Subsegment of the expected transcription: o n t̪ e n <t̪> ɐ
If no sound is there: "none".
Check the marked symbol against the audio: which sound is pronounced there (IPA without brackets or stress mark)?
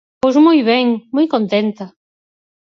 t̪